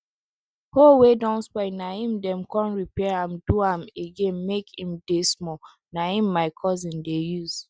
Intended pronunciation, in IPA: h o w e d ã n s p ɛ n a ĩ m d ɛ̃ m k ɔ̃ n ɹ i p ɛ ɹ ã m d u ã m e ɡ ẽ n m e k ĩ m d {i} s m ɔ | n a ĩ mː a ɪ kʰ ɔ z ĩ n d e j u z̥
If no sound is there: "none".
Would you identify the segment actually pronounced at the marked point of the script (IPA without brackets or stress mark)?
e